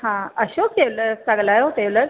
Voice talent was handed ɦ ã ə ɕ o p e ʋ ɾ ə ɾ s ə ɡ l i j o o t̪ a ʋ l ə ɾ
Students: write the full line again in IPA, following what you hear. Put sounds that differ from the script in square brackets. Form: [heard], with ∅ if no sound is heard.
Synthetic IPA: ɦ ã ə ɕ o [k] e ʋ [l] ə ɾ s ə ɡ l [a] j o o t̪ [e] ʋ l ə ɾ

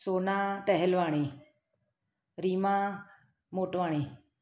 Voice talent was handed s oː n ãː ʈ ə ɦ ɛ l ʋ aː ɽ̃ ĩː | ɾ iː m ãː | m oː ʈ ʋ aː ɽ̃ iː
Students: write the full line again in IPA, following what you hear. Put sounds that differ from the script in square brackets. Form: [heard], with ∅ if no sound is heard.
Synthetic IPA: s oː n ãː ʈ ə ɦ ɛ l ʋ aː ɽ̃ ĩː | ɾ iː m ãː | m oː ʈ ʋ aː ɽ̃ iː

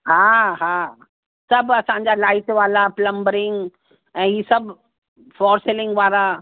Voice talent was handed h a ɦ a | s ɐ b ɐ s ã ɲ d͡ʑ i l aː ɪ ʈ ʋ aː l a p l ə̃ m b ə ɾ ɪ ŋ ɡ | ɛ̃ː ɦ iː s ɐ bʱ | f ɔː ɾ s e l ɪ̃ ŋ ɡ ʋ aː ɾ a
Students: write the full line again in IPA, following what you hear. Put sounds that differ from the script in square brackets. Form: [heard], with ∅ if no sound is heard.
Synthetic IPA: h a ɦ a | s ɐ b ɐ s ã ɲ d͡ʑ [a] l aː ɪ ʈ ʋ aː l a p l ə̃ m b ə ɾ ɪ ŋ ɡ | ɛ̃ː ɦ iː s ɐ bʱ | f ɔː ɾ s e l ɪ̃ ŋ ɡ ʋ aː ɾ a

